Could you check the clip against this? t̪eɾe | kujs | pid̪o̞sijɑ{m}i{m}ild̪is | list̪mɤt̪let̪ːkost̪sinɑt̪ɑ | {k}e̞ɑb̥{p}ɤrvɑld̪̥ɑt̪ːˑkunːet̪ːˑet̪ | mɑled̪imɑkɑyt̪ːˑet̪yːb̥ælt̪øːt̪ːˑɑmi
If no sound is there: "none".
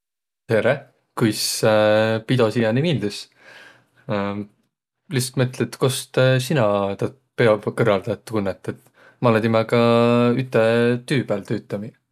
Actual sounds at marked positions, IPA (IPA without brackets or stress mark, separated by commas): n, m, p, k